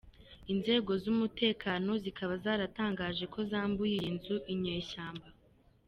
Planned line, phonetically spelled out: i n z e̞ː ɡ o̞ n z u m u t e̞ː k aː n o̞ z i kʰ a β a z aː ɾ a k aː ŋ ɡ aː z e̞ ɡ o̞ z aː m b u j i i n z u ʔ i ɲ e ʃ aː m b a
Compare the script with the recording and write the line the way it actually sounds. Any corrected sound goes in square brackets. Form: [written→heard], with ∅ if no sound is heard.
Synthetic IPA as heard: i n z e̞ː ɡ o̞ [n→∅] z u m u t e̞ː k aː n o̞ z i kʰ a β a z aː ɾ a [k→t] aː ŋ ɡ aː [z→ʒ] e̞ [ɡ→k] o̞ z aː m b u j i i n z u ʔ i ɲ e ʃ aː m b a